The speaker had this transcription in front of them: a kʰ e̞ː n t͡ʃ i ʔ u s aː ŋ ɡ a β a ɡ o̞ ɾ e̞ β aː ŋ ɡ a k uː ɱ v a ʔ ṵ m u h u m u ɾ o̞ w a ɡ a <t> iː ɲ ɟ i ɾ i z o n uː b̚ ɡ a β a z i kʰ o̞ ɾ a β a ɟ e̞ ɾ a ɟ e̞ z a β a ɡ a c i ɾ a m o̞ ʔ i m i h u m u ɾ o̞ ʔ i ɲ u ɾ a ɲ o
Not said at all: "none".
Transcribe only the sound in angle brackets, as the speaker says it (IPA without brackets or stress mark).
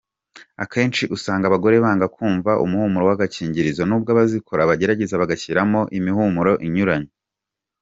c